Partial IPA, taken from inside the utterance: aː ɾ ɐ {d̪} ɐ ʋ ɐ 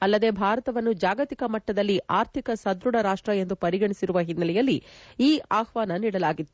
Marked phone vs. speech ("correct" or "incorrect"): incorrect